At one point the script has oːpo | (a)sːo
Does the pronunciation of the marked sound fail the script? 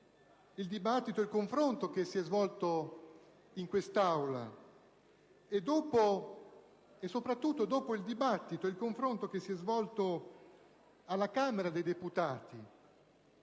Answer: yes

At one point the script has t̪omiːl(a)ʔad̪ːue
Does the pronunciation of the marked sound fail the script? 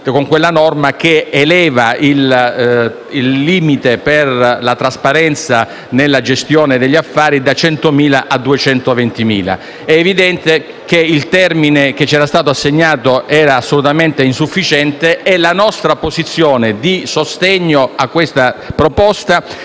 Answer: no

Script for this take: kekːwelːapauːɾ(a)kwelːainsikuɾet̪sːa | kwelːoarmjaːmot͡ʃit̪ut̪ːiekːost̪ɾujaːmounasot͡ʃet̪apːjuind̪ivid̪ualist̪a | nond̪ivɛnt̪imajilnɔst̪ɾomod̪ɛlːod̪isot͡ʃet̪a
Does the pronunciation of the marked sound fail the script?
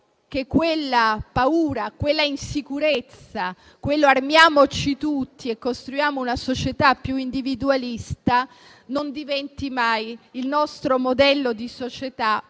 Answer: no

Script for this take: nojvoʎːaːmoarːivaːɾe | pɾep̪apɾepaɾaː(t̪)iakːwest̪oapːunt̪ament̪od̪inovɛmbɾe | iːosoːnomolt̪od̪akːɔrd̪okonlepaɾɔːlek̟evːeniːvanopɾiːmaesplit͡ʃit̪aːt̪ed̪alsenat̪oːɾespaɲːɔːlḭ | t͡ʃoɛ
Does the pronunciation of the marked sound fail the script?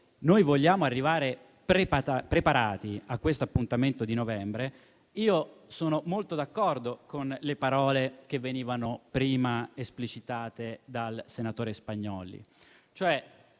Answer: no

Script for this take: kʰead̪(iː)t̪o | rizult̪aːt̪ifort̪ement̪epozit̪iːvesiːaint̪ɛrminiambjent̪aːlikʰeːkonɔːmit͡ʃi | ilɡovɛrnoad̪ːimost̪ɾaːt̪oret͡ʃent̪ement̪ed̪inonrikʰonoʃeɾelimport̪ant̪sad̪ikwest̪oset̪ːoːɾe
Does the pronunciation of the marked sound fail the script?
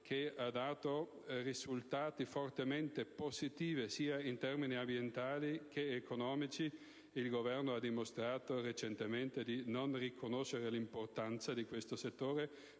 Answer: yes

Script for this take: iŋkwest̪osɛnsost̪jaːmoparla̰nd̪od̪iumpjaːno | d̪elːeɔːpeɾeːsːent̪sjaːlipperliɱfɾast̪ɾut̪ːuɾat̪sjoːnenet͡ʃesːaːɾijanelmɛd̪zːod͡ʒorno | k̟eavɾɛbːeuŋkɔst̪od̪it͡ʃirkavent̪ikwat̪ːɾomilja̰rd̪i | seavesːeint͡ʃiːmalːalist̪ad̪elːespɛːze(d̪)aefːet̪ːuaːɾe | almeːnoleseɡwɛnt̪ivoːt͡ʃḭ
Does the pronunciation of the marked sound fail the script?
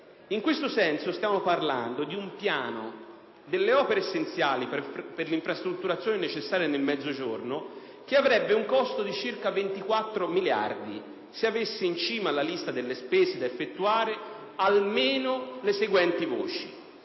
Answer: no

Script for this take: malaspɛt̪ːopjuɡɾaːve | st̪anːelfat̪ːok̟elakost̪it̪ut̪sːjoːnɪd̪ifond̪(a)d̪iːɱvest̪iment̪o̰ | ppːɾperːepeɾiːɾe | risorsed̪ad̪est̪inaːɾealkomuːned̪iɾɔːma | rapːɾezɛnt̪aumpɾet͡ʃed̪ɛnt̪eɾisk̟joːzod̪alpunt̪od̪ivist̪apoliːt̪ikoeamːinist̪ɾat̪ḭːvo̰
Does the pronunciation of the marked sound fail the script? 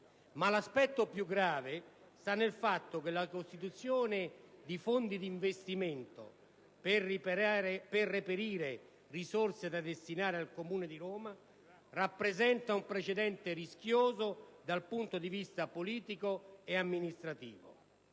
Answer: yes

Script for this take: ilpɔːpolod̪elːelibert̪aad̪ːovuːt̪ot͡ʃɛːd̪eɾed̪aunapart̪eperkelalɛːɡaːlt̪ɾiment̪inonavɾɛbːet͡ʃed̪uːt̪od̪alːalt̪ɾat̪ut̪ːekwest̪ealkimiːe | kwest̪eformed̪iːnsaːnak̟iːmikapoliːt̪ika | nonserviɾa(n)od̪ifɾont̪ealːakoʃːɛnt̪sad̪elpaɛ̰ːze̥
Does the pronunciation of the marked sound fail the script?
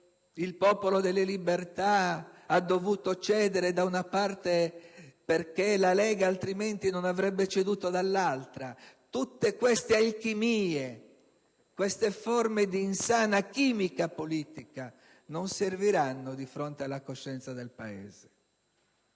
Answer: yes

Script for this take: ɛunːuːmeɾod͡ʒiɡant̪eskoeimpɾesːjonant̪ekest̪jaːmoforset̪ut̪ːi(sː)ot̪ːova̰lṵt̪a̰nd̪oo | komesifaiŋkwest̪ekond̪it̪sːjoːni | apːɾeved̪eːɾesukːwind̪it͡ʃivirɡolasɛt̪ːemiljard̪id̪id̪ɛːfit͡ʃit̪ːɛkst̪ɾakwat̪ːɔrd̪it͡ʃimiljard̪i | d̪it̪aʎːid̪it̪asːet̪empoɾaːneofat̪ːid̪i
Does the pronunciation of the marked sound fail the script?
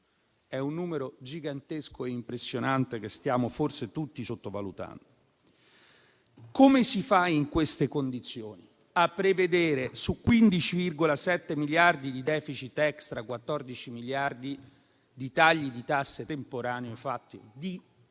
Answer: yes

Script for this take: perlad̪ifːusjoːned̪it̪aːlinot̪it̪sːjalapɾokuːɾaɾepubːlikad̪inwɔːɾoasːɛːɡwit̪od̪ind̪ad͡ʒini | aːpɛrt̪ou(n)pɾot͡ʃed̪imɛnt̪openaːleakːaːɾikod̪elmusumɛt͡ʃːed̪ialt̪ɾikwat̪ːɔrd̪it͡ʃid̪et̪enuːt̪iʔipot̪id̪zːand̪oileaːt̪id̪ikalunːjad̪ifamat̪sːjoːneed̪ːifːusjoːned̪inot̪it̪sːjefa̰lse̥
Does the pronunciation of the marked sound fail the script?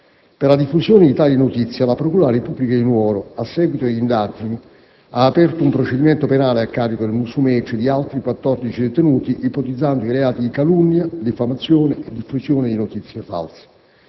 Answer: yes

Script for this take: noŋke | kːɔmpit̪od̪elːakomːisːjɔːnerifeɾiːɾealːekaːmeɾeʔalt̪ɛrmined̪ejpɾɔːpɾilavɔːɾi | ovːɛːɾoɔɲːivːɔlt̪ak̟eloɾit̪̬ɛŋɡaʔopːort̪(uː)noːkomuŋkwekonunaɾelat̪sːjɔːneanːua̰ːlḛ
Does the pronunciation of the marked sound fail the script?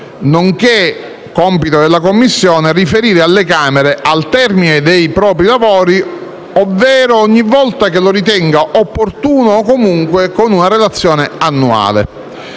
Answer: no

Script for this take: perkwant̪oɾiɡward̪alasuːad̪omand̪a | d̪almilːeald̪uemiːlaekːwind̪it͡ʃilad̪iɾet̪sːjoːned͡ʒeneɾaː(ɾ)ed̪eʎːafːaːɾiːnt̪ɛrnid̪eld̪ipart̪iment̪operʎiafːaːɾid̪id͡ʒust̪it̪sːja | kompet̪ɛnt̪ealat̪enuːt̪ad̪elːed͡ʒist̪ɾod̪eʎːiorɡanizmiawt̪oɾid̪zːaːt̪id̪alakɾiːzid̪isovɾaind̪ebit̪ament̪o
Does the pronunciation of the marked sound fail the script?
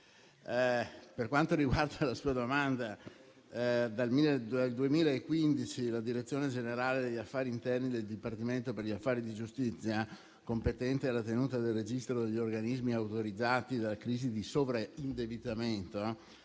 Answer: yes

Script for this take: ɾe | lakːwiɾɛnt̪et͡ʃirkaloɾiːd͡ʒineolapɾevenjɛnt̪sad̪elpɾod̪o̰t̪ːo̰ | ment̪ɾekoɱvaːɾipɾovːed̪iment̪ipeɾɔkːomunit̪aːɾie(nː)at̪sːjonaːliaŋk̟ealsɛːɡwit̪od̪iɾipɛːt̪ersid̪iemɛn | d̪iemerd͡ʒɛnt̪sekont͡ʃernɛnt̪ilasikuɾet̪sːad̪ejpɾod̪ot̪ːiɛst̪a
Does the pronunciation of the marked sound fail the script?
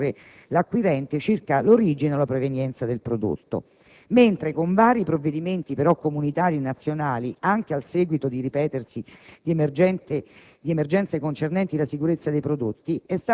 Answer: yes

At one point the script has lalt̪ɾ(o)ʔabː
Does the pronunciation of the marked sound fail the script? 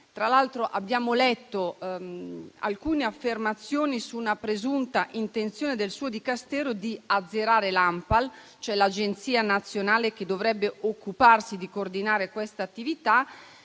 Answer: no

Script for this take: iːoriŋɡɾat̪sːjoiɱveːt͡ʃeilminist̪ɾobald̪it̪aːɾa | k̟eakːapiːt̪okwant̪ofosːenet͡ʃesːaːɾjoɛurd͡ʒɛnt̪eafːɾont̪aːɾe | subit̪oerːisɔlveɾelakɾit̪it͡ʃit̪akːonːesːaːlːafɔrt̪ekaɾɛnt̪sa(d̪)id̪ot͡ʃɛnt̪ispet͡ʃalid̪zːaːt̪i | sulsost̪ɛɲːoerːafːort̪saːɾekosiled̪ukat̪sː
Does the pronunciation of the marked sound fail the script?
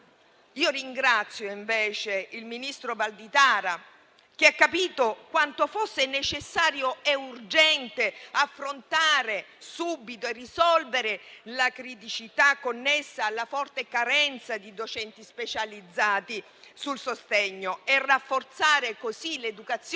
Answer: no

